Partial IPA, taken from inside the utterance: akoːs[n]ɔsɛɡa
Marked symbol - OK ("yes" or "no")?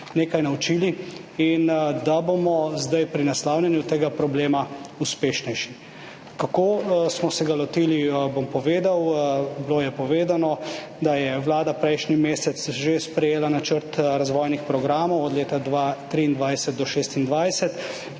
no